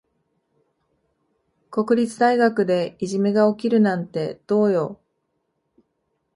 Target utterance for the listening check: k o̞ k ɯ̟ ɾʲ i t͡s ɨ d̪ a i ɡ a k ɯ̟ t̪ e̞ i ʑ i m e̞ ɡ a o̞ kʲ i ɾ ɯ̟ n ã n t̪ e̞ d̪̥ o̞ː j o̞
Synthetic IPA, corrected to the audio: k o̞ k ɯ̟ ɾʲ i t͡s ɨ d̪ a i ɡ a k ɯ̟ d̪ e̞ i ʑ i m e̞ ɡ a o̞ kʲ i ɾ ɯ̟ n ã n t̪ e̞ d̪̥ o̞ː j o̞